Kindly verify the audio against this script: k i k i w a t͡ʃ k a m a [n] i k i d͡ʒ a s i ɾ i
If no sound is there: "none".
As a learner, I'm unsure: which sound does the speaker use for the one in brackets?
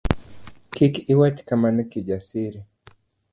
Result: n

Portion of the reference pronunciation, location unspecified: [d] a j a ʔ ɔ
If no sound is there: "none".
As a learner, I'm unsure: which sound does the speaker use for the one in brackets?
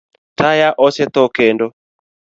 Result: t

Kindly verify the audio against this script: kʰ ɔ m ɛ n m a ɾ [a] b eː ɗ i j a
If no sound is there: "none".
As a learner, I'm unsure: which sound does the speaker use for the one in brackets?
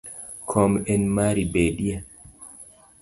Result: i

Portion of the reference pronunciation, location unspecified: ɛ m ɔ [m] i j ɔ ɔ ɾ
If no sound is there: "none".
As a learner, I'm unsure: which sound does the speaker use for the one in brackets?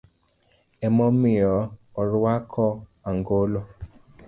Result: m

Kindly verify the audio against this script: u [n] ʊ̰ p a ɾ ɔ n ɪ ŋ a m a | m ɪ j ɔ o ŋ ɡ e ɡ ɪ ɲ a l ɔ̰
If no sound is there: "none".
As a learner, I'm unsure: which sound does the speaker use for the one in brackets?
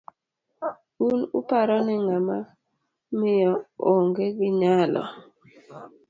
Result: n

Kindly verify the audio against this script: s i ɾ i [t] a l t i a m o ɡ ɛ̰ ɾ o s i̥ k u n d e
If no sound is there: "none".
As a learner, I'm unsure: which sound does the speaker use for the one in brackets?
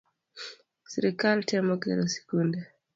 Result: k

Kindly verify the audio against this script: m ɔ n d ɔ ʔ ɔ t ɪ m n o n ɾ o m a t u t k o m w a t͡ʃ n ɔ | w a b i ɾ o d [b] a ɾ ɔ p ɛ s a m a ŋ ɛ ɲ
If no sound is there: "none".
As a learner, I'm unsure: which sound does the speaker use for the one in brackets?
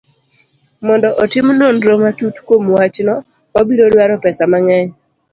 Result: w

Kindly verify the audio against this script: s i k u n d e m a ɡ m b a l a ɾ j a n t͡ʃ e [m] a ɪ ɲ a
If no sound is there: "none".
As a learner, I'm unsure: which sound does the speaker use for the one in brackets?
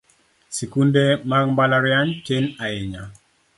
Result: n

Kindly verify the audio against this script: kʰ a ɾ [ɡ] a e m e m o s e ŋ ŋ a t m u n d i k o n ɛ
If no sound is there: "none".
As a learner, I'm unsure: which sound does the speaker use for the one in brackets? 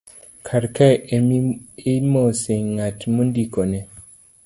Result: k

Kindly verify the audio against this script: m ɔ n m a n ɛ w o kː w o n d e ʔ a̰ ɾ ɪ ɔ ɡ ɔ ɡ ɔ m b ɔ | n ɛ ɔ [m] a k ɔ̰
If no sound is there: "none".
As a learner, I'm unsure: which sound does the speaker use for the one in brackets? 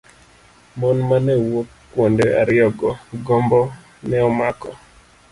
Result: m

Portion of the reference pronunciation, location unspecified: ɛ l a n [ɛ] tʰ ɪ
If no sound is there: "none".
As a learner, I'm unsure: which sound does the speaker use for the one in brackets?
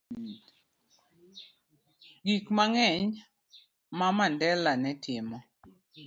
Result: ɛ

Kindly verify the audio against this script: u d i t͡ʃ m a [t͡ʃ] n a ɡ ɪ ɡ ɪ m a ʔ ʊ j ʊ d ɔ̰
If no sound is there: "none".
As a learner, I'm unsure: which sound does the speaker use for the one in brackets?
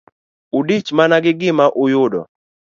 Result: none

